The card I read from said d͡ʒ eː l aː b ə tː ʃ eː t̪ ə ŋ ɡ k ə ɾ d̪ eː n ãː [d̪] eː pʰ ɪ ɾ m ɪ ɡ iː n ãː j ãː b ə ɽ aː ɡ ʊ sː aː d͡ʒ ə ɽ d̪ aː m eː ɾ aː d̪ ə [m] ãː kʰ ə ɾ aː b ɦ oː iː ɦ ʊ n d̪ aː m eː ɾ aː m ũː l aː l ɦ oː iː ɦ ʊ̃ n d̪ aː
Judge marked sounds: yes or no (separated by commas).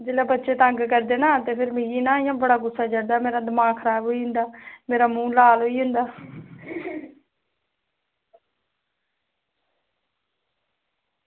no, yes